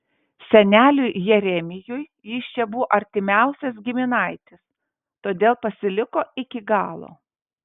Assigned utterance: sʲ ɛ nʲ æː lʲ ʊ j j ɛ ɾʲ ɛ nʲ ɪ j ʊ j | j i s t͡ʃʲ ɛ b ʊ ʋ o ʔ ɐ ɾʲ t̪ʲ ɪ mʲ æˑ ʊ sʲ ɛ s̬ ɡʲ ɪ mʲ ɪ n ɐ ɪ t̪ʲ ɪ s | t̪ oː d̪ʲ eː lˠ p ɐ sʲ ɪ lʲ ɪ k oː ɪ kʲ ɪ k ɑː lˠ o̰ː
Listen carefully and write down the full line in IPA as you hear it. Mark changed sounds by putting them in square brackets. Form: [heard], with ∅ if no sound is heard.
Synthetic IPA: sʲ ɛ nʲ æː lʲ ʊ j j ɛ ɾʲ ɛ [mʲ] ɪ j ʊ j | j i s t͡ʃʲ ɛ b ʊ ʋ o ʔ ɐ ɾʲ t̪ʲ ɪ mʲ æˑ ʊ sʲ ɛ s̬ ɡʲ ɪ mʲ ɪ n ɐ ɪ t̪ʲ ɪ s | t̪ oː d̪ʲ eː lˠ p ɐ sʲ ɪ lʲ ɪ k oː ɪ kʲ ɪ [ɡ] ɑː lˠ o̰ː